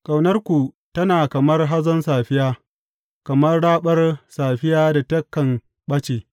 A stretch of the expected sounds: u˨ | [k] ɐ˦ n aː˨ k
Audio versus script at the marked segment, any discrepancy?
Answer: yes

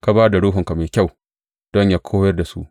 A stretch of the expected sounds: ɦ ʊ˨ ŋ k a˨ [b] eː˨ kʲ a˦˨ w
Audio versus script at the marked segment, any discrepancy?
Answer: yes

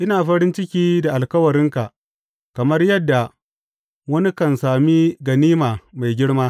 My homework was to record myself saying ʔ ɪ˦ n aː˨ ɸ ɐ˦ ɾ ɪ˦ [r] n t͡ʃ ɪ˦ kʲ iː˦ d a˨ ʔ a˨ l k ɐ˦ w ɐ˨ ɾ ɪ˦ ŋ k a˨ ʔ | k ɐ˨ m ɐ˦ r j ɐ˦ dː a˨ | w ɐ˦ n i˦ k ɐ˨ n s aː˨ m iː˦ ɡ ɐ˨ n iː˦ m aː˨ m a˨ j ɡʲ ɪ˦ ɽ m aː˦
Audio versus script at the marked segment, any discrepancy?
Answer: yes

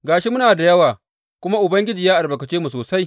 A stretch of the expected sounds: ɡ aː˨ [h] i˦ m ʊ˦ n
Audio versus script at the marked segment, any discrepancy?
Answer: yes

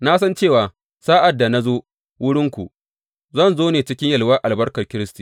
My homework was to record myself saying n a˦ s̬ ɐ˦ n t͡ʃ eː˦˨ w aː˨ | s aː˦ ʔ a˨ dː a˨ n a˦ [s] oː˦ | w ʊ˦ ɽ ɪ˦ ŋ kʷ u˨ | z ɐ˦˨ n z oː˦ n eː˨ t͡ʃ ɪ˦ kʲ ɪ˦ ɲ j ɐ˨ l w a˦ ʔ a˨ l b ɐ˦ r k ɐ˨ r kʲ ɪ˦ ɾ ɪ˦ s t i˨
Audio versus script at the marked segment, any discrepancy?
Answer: yes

